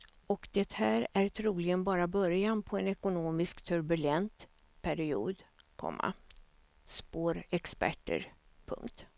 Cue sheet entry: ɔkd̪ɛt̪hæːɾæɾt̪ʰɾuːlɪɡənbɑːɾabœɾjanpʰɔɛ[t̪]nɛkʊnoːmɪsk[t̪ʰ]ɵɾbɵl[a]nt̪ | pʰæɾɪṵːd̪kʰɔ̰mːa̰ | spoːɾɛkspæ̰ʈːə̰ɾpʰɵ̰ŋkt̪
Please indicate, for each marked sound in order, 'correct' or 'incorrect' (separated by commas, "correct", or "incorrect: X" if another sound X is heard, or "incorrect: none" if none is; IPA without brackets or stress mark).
incorrect: none, correct, incorrect: ɛ